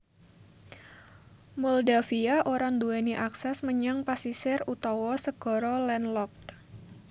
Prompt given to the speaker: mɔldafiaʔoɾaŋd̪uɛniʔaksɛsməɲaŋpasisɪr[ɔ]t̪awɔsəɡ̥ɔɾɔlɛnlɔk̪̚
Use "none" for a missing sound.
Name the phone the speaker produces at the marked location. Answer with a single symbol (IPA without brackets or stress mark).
u